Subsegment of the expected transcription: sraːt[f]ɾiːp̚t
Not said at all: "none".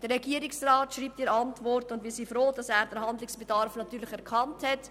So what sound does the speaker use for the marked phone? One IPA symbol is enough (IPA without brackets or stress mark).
ʃ